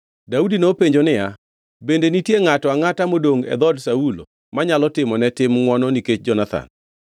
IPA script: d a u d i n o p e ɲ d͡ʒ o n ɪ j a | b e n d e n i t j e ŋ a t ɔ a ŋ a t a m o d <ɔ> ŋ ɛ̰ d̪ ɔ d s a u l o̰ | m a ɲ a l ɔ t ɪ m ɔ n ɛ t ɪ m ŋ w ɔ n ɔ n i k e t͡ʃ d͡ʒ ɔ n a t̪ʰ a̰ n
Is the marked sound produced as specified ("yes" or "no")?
no